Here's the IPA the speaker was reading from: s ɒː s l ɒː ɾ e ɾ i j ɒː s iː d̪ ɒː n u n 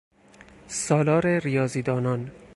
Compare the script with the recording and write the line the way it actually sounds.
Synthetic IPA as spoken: s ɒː l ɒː ɾ e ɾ i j ɒː z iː d̪ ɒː n ɒ n